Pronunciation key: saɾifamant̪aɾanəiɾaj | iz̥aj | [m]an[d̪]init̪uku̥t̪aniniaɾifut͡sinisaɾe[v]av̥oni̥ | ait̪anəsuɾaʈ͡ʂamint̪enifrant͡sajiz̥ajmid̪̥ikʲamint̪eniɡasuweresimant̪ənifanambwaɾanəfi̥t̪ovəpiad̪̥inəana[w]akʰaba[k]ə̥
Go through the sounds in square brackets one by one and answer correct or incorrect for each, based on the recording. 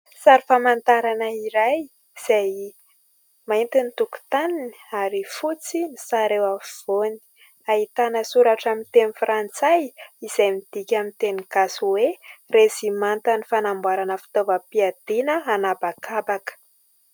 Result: correct, incorrect: t̪, incorrect: w, incorrect: b, correct

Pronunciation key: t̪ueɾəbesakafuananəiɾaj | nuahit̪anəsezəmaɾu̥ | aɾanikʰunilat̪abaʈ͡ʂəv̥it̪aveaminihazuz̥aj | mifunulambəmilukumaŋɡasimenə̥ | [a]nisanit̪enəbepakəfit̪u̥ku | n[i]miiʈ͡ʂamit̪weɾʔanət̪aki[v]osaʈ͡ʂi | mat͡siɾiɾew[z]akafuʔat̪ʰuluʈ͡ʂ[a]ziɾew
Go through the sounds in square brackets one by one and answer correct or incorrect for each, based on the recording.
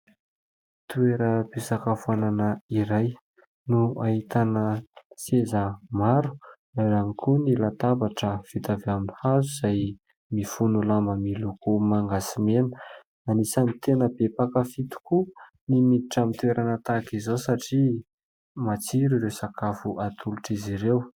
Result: correct, correct, incorrect: z, incorrect: s, incorrect: i

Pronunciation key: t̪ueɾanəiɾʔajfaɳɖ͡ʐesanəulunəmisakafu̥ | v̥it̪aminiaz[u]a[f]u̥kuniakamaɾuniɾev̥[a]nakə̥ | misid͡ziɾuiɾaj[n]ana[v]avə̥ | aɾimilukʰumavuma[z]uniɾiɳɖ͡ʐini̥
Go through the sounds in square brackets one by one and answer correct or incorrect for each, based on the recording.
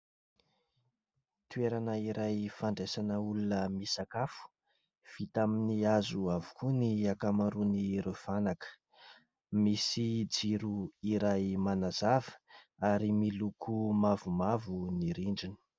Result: correct, incorrect: v, correct, incorrect: m, incorrect: z, incorrect: v

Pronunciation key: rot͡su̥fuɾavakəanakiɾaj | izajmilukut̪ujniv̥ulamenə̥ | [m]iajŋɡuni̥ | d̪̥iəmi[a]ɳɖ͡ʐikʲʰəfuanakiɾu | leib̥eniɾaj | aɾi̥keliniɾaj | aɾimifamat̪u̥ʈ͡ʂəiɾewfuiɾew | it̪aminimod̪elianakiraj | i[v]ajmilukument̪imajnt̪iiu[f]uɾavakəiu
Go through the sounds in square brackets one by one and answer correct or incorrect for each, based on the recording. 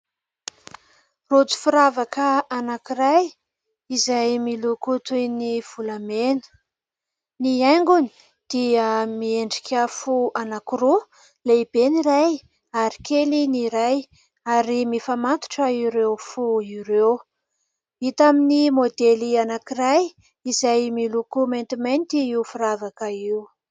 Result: incorrect: n, incorrect: e, incorrect: z, correct

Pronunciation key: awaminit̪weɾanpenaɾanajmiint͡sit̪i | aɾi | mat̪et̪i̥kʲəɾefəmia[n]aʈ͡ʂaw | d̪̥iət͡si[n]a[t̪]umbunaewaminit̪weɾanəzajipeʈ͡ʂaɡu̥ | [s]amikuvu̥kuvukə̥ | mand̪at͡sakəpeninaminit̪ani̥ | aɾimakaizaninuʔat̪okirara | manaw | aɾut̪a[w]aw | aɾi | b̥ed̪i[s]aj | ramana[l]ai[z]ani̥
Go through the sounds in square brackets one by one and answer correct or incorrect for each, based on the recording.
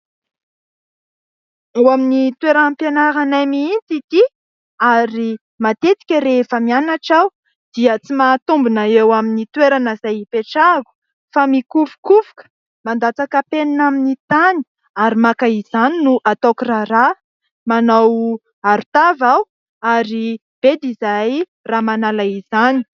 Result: correct, incorrect: m, correct, incorrect: f, incorrect: v, incorrect: z, correct, correct

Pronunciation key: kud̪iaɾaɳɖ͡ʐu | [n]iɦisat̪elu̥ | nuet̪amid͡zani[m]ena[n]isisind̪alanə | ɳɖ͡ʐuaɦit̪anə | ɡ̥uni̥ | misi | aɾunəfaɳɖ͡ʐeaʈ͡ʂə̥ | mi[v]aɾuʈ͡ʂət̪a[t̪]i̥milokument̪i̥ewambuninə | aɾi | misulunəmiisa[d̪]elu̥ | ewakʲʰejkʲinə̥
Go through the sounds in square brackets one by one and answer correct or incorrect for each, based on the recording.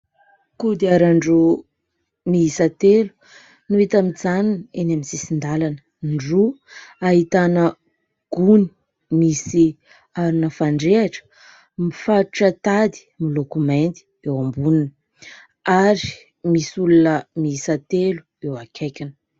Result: incorrect: m, incorrect: n, incorrect: m, incorrect: f, incorrect: d̪, incorrect: t̪

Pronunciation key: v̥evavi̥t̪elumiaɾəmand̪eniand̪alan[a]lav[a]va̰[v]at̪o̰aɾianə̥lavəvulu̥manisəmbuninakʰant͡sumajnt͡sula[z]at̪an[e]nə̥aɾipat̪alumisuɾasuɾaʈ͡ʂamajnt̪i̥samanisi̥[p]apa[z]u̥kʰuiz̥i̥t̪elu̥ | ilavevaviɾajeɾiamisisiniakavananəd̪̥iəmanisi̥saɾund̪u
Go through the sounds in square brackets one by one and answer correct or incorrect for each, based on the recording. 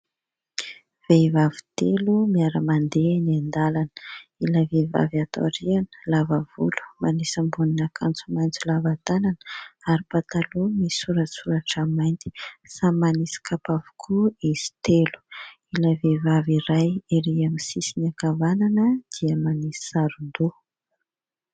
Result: incorrect: i, incorrect: e, correct, incorrect: v, incorrect: a, incorrect: k, incorrect: v

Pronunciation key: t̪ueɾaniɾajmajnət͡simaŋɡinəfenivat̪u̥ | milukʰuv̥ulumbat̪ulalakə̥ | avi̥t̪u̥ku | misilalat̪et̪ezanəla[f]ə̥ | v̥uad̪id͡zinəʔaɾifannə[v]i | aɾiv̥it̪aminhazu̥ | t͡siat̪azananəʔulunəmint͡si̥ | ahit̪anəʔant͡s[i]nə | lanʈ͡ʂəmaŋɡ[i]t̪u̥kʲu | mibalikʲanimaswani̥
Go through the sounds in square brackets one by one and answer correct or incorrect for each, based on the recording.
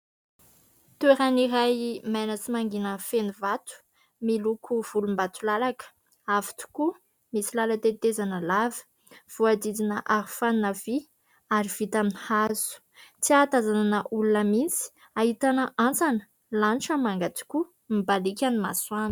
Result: incorrect: v, correct, incorrect: a, incorrect: a

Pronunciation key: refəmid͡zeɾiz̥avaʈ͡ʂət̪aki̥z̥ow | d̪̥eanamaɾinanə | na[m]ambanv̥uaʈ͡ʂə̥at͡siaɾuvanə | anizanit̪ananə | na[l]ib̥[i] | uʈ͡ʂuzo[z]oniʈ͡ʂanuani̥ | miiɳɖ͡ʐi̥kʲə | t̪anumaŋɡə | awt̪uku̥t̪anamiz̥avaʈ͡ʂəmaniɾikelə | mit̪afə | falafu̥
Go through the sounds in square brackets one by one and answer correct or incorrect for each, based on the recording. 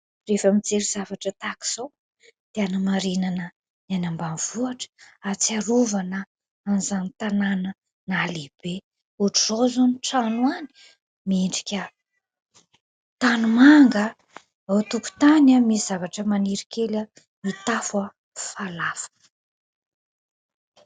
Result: incorrect: n, correct, incorrect: e, correct

